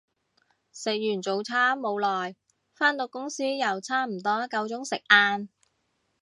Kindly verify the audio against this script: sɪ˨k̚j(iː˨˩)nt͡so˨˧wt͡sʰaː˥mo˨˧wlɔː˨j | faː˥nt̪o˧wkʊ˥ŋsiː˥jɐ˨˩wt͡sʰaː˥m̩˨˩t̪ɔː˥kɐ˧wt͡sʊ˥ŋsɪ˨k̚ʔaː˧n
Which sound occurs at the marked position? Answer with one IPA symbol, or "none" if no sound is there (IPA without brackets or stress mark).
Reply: yː˨˩